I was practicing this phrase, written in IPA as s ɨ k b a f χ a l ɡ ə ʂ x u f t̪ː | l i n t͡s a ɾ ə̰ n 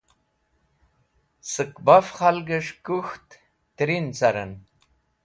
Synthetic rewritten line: s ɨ k b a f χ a l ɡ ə ʂ k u x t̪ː | ɾ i n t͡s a ɾ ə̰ n